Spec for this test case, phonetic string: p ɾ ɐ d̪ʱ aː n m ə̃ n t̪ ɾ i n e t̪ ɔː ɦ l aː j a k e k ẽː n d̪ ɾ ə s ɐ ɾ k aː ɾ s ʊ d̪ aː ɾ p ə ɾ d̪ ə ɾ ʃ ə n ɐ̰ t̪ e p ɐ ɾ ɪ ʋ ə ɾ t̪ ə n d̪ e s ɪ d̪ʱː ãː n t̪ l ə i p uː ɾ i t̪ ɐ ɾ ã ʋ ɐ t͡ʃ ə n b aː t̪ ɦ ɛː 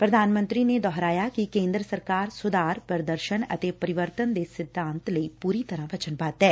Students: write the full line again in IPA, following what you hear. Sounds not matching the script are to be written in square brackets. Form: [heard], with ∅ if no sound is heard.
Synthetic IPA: p ɾ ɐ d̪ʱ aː n m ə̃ n t̪ ɾ i n e [d̪] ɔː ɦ [ɾ] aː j a k [i] k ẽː n d̪ ɾ ə s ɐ ɾ k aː ɾ s ʊ d̪ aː ɾ p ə ɾ d̪ ə ɾ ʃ ə n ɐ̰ t̪ e p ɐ ɾ ɪ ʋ ə ɾ t̪ ə n d̪ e s ɪ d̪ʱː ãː n t̪ l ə i p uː ɾ i t̪ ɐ ɾ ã ʋ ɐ t͡ʃ ə n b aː t̪ ɦ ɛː